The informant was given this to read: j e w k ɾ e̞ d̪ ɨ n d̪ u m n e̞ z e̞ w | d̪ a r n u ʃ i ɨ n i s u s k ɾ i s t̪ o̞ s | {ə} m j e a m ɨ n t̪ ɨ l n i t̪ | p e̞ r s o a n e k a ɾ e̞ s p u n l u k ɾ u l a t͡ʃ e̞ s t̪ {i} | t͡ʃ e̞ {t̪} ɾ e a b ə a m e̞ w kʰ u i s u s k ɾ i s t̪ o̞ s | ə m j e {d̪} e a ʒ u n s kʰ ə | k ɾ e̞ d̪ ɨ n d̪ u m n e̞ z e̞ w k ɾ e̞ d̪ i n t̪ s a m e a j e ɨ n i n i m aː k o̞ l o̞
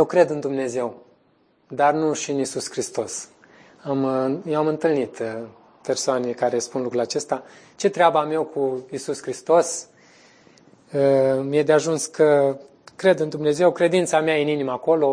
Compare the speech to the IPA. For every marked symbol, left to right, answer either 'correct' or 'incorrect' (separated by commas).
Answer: incorrect, incorrect, correct, correct